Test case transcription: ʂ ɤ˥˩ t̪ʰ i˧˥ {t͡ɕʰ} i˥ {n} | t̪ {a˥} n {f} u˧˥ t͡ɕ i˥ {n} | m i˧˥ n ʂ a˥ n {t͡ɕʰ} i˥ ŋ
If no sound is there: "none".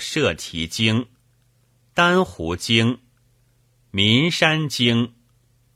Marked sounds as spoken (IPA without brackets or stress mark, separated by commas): t͡ɕ, ŋ, a˥, x, ŋ, t͡ɕ